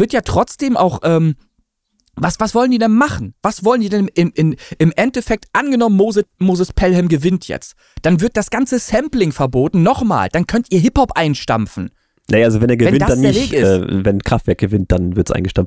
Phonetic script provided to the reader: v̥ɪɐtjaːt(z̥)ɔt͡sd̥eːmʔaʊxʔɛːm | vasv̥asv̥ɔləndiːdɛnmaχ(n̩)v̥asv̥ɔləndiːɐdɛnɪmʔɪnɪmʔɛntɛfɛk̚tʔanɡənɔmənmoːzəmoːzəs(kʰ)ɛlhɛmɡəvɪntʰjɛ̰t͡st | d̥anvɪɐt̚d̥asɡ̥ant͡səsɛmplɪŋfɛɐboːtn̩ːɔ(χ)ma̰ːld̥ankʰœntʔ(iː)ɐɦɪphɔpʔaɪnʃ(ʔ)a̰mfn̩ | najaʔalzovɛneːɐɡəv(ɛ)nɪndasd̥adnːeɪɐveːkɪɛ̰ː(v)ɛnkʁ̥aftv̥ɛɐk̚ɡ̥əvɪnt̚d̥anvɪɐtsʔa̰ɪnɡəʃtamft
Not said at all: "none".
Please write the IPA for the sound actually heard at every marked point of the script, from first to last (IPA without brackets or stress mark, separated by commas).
ʁ̥, n̩, pʰ, χ, iː, t, ɛ, v